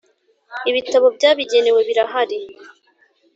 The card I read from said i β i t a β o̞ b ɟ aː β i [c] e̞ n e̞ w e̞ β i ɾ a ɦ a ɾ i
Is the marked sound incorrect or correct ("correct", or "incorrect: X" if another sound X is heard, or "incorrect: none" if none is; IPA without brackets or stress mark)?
incorrect: ɟ